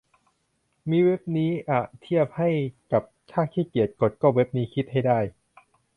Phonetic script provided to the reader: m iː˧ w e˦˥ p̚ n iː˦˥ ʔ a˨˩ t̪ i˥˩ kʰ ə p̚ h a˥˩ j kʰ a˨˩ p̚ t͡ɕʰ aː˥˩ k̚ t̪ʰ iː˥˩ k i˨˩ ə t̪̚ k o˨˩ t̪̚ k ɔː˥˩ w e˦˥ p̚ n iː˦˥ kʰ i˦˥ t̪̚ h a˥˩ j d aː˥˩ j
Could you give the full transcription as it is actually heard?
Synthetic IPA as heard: m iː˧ w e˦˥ p̚ n iː˦˥ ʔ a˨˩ t̪ʰ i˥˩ ə p̚ h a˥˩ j k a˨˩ p̚ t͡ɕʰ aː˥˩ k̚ t̪ʰ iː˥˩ k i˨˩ ə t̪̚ k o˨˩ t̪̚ k ɔː˥˩ w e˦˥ p̚ n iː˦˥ kʰ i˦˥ t̪̚ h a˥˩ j d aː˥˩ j